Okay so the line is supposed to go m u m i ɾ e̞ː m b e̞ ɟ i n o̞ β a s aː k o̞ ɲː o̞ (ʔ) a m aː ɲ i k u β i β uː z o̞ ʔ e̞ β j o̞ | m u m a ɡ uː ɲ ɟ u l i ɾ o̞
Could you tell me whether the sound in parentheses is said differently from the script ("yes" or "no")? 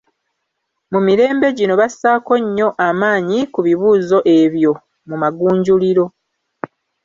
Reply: no